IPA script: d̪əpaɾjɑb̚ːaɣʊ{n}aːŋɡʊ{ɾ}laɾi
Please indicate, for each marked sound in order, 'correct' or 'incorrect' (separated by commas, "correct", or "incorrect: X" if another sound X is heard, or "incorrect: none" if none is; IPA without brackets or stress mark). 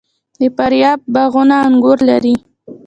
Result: correct, correct